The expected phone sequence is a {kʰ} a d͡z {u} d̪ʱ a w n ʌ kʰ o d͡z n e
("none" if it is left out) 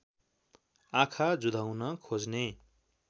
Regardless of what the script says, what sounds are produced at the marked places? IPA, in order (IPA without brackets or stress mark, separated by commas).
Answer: kʰ, u